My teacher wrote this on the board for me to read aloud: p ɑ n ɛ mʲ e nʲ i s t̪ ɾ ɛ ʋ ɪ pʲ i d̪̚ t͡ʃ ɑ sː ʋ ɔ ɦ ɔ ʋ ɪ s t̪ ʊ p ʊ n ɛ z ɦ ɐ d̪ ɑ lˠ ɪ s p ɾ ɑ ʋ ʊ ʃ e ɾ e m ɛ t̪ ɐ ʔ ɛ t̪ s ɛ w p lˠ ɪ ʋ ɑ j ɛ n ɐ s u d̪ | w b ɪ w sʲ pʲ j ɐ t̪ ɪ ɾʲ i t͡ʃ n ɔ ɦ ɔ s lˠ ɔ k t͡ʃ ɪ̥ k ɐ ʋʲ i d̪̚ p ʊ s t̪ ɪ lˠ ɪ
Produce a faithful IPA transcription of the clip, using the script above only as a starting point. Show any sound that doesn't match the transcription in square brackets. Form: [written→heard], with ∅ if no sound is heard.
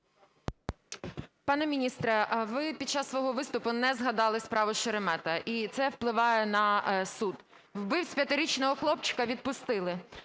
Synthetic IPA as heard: p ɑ n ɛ mʲ [e→i] nʲ i s t̪ ɾ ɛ ʋ ɪ pʲ i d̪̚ t͡ʃ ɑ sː ʋ ɔ ɦ ɔ ʋ ɪ s t̪ ʊ p ʊ n ɛ z ɦ ɐ d̪ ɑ lˠ ɪ s p ɾ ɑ ʋ ʊ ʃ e ɾ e m ɛ t̪ ɐ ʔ [ɛ→i] t̪ s ɛ w p lˠ ɪ ʋ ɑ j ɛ n ɐ s u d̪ | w b ɪ w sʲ pʲ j ɐ t̪ ɪ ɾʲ i t͡ʃ n ɔ ɦ ɔ [s→x] lˠ ɔ [k→p] t͡ʃ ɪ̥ k ɐ ʋʲ i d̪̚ p ʊ s t̪ ɪ lˠ ɪ

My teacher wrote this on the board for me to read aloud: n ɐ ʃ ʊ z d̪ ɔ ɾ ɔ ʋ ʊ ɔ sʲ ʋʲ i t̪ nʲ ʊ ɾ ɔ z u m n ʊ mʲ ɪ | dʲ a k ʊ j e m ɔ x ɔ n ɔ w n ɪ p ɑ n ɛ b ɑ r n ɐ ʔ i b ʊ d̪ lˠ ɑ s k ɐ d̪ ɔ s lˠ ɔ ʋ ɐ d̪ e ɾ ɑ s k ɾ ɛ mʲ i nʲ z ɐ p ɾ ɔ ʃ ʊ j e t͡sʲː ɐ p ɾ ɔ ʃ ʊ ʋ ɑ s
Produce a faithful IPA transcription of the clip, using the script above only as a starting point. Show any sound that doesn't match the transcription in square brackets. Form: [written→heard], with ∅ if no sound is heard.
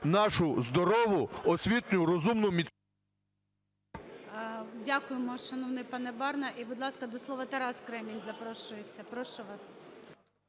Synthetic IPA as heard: n [ɐ→ɑ] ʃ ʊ z d̪ ɔ ɾ ɔ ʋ ʊ ɔ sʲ ʋʲ i t̪ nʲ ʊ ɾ ɔ z u m n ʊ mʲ [ɪ→i] | dʲ a k ʊ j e m ɔ [x→ʃ] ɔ n ɔ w n ɪ p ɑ n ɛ b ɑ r n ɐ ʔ i b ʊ d̪ lˠ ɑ s k ɐ d̪ ɔ s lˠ ɔ ʋ ɐ [d̪→t̪] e ɾ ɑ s k ɾ ɛ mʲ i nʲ z ɐ p ɾ ɔ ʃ ʊ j e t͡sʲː ɐ p ɾ ɔ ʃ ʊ ʋ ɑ s

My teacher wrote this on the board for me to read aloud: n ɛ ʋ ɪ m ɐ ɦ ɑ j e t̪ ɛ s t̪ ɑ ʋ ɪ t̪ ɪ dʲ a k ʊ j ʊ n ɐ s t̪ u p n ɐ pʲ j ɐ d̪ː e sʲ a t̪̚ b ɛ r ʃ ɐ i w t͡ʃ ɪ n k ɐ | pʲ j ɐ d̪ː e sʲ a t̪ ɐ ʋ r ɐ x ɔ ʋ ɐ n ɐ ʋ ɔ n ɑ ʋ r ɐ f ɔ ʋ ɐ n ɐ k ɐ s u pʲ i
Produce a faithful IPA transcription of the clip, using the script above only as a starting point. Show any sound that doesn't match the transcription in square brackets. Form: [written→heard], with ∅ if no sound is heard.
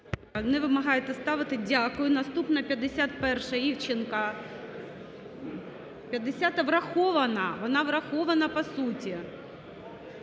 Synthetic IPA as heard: n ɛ ʋ ɪ m ɐ ɦ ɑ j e t̪ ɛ s t̪ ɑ ʋ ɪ t̪ ɪ dʲ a k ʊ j ʊ n ɐ s t̪ u p n ɐ pʲ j ɐ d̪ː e sʲ a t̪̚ [b→p] ɛ r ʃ ɐ i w t͡ʃ ɪ n k ɐ | pʲ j ɐ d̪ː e sʲ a t̪ ɐ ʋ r ɐ x ɔ ʋ ɐ n ɐ ʋ ɔ n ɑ ʋ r ɐ [f→x] ɔ ʋ ɐ n ɐ [k→p] ɐ s u [pʲ→tʲ] i

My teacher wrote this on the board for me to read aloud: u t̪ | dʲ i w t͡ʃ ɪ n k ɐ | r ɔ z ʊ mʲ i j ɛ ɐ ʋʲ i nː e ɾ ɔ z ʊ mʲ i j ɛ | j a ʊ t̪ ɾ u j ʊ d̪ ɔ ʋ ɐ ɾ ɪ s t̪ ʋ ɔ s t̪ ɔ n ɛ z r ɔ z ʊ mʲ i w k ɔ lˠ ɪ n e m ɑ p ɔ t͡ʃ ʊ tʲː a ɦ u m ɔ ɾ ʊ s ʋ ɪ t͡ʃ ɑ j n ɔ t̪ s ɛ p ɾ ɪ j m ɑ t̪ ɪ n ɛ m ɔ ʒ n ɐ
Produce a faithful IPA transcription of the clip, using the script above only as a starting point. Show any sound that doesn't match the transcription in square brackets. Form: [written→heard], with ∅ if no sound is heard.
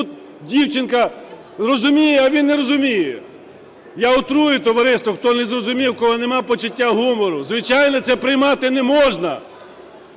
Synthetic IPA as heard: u t̪ | dʲ i w t͡ʃ ɪ n k ɐ | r ɔ z ʊ mʲ i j ɛ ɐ ʋʲ i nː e ɾ ɔ z ʊ mʲ i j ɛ | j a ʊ t̪ ɾ u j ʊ [d̪→t̪] ɔ ʋ ɐ ɾ ɪ s t̪ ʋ ɔ [s→x] t̪ ɔ n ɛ z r ɔ z ʊ mʲ i w k ɔ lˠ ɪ n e m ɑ p ɔ t͡ʃ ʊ tʲː a ɦ u m ɔ ɾ ʊ [s→z] ʋ ɪ t͡ʃ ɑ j n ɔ t̪ s ɛ p ɾ ɪ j m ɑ t̪ ɪ n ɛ m ɔ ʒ n ɐ

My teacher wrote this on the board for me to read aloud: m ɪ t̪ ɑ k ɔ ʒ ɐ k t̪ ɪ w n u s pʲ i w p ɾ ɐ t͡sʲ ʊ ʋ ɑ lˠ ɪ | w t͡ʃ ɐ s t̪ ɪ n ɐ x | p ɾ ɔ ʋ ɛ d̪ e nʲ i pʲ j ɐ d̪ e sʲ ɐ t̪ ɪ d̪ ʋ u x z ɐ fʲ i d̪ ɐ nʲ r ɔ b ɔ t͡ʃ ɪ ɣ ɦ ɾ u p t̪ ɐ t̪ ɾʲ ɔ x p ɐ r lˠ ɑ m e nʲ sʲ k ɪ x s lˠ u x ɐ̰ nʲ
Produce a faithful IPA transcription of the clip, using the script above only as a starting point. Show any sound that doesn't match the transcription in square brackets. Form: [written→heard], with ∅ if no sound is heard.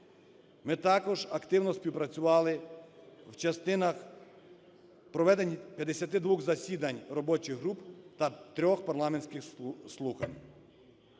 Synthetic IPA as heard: m ɪ t̪ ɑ k ɔ ʒ ɐ k t̪ ɪ w n [u→ɔ] s pʲ i w p ɾ ɐ t͡sʲ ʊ ʋ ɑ lˠ ɪ | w t͡ʃ ɐ s t̪ ɪ n ɐ x | p ɾ ɔ ʋ ɛ d̪ e nʲ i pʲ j ɐ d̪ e sʲ ɐ t̪ ɪ d̪ ʋ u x z ɐ [fʲ→sʲ] i d̪ ɐ nʲ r ɔ b ɔ t͡ʃ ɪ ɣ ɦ ɾ u p t̪ ɐ t̪ ɾʲ ɔ x p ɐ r lˠ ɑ m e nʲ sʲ k ɪ x s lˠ u x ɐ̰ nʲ

